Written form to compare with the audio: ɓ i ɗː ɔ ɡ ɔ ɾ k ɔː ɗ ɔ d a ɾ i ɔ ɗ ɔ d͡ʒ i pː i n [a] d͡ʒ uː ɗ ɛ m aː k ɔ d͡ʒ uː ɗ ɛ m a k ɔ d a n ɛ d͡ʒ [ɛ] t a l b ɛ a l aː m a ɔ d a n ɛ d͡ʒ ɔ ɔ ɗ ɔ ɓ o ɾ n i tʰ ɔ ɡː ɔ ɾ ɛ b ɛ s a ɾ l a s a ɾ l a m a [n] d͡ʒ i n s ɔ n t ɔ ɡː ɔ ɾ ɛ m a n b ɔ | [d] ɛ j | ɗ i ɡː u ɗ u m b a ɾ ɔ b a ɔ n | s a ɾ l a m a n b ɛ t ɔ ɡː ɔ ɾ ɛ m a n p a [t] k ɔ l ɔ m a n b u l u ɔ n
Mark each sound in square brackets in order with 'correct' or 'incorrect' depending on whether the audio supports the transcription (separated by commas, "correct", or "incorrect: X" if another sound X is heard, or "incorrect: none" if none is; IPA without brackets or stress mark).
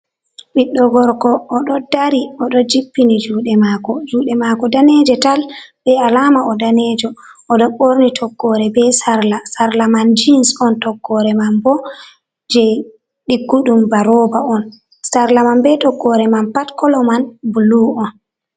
incorrect: i, correct, correct, incorrect: d͡ʒ, correct